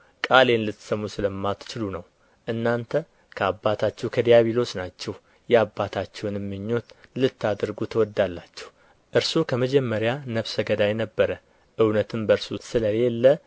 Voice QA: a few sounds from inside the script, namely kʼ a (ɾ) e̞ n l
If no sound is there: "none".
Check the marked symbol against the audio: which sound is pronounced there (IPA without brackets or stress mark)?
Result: l